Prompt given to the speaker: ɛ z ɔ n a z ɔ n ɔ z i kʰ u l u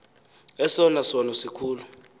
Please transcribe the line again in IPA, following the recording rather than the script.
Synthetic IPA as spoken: ɛ s ɔ n a s ɔ n ɔ s i kʰ uː l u